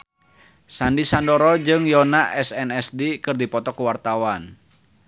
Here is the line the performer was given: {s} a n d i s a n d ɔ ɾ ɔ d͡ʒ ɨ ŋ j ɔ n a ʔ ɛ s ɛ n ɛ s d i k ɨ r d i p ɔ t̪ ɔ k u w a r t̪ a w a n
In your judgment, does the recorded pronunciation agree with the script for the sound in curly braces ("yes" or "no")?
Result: yes